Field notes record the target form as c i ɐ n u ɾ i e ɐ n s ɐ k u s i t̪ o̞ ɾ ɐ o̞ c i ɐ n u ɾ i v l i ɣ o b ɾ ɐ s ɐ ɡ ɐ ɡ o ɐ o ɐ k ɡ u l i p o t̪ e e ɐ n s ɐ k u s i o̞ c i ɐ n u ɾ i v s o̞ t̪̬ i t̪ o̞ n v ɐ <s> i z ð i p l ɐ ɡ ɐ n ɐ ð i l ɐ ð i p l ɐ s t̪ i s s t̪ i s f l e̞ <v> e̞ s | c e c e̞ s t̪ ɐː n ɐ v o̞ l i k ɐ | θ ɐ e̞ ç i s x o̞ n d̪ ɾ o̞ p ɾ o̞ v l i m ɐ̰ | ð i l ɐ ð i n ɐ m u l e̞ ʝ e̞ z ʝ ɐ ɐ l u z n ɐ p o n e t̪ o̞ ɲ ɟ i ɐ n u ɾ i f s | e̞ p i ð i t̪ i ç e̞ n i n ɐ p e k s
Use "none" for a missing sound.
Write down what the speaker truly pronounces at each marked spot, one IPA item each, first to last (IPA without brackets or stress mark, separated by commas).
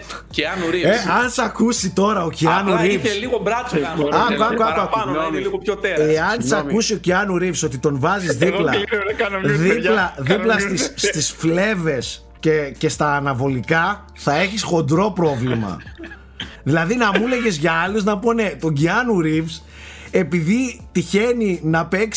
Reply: z, v